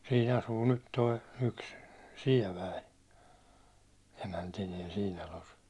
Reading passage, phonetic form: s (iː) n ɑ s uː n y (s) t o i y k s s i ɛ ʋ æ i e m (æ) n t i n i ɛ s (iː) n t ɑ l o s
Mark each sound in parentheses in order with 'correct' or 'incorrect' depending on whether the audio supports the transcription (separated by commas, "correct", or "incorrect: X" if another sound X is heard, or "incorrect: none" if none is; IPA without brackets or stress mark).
correct, incorrect: t, correct, correct